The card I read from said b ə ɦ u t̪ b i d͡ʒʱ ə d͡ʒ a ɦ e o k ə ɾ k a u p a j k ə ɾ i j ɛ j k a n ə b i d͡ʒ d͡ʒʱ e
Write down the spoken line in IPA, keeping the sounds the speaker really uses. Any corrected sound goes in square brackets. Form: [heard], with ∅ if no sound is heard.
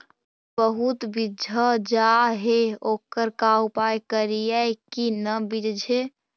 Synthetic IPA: b ə ɦ u t̪ b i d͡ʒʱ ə d͡ʒ a ɦ e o k ə ɾ k a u p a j k ə ɾ i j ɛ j k [i] n ə b i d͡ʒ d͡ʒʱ e